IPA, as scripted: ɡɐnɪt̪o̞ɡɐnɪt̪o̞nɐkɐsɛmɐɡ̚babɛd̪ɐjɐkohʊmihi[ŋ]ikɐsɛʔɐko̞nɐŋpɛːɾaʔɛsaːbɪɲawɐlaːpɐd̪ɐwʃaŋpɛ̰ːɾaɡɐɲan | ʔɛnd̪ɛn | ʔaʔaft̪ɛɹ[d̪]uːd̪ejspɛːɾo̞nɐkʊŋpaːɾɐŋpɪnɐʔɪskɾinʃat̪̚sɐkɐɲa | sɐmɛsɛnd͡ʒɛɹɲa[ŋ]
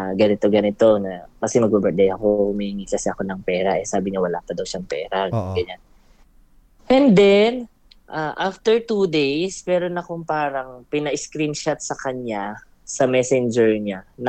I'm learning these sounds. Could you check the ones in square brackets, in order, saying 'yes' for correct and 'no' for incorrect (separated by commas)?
yes, no, no